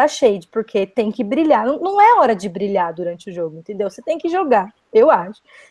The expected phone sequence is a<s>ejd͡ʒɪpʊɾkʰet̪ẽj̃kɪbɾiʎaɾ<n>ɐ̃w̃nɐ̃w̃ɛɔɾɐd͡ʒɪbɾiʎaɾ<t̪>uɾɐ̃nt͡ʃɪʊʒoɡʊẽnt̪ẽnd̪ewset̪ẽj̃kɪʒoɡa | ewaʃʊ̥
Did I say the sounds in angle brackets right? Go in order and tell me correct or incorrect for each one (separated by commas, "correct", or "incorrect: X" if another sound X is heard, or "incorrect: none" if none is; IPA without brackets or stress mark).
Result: incorrect: ʃ, correct, incorrect: d̪